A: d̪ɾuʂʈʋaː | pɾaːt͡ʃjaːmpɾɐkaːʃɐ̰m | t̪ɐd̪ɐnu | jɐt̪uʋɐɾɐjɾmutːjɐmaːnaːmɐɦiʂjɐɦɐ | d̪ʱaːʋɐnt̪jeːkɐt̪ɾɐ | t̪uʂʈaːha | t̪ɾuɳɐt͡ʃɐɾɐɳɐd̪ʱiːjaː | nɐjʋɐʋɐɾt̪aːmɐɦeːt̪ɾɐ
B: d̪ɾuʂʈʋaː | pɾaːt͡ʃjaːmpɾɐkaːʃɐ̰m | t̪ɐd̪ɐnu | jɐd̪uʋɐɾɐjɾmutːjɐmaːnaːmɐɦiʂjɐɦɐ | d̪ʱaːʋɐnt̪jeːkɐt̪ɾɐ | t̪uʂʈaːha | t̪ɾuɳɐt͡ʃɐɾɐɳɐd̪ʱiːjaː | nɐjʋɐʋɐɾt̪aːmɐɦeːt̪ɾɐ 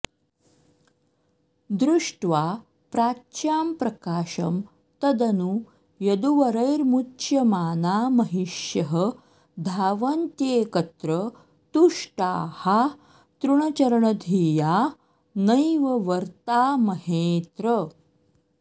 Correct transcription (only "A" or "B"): B